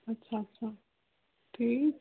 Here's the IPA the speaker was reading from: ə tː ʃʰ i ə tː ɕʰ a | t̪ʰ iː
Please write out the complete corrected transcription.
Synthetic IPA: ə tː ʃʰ a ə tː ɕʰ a | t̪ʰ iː

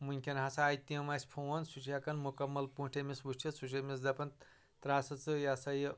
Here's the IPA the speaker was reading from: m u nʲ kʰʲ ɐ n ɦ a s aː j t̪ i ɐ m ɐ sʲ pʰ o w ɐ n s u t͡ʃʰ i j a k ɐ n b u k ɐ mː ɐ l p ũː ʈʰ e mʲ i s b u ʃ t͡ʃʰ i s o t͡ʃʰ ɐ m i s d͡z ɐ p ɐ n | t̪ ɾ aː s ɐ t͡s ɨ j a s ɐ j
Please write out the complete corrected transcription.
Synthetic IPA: m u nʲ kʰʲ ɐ n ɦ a s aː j t̪ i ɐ m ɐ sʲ pʰ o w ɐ n s u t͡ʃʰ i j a k ɐ n m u k ɐ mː ɐ l p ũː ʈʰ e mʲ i s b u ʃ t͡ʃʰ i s u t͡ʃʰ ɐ m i s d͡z ɐ p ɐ n | t̪ ɾ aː s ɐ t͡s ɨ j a s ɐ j

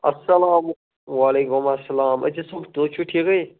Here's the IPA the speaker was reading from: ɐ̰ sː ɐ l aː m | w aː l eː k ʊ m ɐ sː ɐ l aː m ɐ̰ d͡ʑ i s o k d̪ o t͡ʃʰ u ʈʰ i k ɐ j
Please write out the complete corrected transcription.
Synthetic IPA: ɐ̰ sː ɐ l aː m | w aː l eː k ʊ m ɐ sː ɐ l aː m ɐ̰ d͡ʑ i s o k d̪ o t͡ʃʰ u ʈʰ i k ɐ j

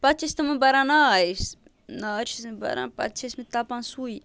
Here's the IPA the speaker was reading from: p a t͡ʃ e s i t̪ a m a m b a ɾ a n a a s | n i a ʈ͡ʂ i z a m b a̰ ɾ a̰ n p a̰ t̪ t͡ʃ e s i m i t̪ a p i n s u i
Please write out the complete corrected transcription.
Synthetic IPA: p a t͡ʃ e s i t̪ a m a m b a ɾ a n a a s | n a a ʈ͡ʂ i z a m b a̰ ɾ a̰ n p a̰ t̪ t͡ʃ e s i m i t̪ a p a n s u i

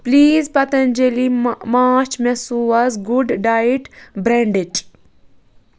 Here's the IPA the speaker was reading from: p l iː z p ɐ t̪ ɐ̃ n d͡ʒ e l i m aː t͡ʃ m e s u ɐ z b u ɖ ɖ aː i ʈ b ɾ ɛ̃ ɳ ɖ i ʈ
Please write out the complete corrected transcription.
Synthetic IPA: p l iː z p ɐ t̪ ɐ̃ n d͡ʒ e l i m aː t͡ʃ m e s u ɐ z ɡ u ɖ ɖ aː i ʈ b ɾ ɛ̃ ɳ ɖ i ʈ

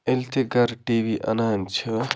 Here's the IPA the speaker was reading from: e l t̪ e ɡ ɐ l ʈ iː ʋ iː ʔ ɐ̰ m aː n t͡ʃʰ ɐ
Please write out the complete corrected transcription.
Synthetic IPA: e l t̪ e ɡ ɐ ɾ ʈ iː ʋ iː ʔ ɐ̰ n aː n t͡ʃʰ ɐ

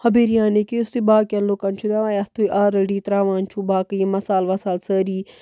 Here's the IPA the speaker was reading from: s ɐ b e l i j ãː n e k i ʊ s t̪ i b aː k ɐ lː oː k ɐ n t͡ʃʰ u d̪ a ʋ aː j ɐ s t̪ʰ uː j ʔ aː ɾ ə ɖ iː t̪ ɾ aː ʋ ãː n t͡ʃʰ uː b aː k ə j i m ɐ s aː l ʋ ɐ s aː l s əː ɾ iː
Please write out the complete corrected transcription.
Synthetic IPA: h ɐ b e ɾ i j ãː n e k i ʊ s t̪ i b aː k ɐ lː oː k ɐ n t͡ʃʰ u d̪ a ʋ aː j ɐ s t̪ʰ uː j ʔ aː ɾ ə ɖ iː t̪ ɾ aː ʋ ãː n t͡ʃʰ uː b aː k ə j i m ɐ s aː l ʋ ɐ s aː l s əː ɾ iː

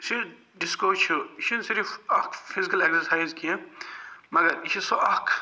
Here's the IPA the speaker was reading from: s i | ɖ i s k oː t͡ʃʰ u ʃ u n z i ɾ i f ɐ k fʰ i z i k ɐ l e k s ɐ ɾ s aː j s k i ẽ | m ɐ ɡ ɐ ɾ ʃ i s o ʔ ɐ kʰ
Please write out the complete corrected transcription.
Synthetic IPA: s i | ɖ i s k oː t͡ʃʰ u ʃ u n s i ɾ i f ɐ k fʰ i z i k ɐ l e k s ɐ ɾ s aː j z k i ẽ | m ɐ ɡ ɐ ɾ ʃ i s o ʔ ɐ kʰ

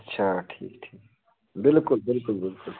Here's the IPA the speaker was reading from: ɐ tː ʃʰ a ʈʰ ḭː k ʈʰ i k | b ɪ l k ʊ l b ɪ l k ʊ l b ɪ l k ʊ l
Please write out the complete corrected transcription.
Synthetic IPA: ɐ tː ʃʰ a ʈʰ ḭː k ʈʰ iː k | b ɪ l k ʊ l b ɪ l k ʊ l b ɪ l k ʊ l

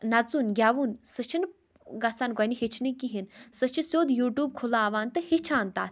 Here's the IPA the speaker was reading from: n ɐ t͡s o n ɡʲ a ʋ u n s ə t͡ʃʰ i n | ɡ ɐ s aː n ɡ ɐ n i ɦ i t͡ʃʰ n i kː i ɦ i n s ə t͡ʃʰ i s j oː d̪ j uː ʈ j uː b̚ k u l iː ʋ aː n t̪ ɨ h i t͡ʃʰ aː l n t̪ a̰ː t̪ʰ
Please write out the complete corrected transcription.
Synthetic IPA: n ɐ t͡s u n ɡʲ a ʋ u n s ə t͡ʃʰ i n | ɡ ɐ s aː n ɡ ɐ n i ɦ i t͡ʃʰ n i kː i ɦ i n s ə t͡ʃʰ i s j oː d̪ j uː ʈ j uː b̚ kʰ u l aː ʋ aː n t̪ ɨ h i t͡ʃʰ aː n t̪ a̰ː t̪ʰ

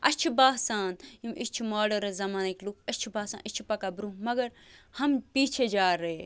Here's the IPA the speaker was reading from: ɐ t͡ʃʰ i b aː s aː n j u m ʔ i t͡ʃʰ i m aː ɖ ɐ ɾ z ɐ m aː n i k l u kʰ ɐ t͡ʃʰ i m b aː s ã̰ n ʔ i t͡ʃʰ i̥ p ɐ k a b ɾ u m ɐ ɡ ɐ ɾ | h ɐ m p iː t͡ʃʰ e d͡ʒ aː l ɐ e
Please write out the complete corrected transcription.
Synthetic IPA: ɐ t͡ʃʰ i b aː s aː n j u m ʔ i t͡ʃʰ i m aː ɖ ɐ ɾ z ɐ m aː n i k l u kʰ ɐ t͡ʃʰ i b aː s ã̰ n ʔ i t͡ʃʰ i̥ p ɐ k a b ɾ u m ɐ ɡ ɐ ɾ | h ɐ m p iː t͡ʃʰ e d͡ʒ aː ɾ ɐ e

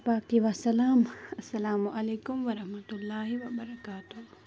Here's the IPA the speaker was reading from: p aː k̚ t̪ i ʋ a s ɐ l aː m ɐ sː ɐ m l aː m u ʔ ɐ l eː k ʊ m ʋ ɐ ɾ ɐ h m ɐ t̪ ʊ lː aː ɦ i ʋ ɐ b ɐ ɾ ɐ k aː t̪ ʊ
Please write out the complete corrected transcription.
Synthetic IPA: p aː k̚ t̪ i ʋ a s ɐ l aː m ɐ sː ɐ l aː m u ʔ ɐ l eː k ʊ m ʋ ɐ ɾ ɐ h m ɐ t̪ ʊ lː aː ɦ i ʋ ɐ b ɐ ɾ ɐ k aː t̪ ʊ

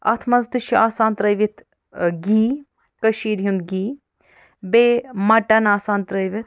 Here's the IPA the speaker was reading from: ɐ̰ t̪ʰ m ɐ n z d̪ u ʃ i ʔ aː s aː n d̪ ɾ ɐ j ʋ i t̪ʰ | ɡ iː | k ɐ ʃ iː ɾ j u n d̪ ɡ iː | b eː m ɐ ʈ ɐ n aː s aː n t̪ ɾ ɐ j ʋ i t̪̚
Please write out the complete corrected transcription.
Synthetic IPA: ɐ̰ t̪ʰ m ɐ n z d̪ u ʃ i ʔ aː s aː n t̪ ɾ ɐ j ʋ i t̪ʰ | ɡ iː | k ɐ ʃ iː ɾ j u n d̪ ɡ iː | b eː m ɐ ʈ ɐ n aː s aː n t̪ ɾ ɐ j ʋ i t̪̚

